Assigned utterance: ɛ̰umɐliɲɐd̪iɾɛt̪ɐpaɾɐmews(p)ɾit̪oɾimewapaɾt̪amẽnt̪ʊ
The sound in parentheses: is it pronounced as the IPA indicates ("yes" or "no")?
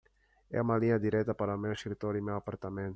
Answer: no